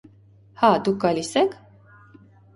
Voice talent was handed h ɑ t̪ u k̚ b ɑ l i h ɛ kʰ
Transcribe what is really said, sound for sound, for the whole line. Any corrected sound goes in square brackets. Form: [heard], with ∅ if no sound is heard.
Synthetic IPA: h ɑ [d̪] u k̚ [ɡ] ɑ l i [s] ɛ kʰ